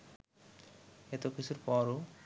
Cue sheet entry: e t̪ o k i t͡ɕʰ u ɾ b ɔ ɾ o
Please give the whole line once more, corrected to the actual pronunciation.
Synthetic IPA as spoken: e t̪ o k i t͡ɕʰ u ɾ p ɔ ɾ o